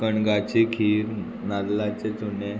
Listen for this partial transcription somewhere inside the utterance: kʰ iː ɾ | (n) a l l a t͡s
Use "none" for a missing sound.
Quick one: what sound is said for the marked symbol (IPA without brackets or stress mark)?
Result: n